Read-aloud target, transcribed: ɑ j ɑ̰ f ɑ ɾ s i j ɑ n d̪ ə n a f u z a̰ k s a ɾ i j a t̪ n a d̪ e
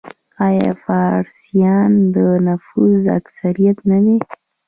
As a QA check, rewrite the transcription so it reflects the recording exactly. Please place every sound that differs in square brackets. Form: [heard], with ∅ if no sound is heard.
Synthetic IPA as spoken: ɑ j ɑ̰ f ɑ ɾ s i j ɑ n d̪ ə n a f u z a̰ k s a ɾ i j a t̪ n a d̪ e